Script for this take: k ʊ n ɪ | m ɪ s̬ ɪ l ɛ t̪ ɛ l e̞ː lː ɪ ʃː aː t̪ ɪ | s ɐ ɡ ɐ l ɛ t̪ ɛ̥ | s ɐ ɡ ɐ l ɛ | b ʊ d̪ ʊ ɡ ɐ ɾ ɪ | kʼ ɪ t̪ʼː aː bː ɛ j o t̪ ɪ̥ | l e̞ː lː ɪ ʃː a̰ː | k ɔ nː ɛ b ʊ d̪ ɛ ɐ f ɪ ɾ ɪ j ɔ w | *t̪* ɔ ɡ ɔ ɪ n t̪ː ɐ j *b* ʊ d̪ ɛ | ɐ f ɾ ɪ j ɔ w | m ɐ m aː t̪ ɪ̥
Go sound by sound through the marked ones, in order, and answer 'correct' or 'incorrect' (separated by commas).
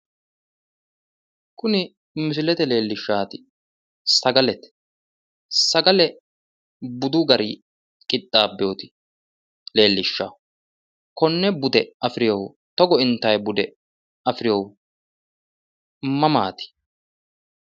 correct, correct